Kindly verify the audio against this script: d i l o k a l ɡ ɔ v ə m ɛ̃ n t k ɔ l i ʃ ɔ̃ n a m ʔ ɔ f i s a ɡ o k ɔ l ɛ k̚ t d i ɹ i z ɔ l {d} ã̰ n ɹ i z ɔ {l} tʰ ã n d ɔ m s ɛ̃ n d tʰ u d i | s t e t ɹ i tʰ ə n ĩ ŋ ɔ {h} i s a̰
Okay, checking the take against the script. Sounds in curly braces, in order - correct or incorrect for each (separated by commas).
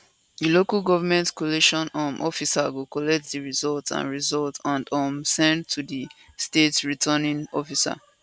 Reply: incorrect, correct, incorrect